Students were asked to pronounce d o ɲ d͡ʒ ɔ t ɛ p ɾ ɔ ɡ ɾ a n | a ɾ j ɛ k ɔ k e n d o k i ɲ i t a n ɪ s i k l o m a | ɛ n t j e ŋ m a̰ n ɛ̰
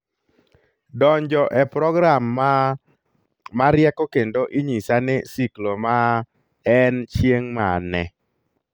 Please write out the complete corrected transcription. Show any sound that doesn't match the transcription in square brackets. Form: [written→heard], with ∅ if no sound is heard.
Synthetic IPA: d [o→ɔ] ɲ d͡ʒ ɔ [t→ʔ] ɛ p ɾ ɔ ɡ ɾ a [n→m] | a ɾ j ɛ k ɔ k e n d o [k→ʔ] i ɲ i [t→s] a n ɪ s i k l o m a | ɛ n [t→t͡ʃ] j e ŋ m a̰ n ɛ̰